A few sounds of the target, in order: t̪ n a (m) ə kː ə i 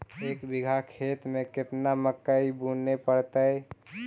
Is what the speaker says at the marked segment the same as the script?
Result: yes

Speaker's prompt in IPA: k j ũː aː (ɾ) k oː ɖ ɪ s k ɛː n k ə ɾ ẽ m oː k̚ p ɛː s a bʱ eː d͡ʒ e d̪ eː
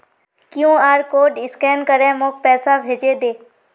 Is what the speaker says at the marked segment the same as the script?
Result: yes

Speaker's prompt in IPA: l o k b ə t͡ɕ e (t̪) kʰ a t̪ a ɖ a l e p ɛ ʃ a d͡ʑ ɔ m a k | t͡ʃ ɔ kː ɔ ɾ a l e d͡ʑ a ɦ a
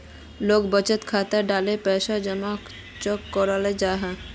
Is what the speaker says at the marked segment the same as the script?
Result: yes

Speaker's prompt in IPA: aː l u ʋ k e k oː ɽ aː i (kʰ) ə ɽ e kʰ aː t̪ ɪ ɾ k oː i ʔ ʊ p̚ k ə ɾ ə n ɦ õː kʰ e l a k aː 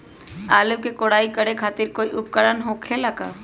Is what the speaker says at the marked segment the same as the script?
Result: no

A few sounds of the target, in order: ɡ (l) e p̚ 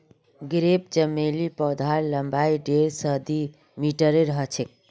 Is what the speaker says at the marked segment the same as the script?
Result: no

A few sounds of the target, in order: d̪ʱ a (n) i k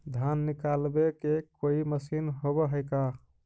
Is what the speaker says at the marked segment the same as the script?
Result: no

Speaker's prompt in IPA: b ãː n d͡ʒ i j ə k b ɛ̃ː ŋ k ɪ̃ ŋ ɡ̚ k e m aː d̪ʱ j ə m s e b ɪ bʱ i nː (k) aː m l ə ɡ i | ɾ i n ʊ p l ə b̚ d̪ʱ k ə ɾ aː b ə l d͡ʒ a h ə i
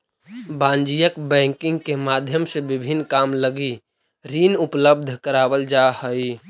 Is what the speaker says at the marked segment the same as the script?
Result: yes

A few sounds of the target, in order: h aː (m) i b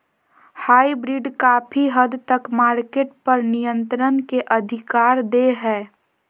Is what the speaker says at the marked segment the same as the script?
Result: no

